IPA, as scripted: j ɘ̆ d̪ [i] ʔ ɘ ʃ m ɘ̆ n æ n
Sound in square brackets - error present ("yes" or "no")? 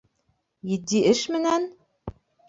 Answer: no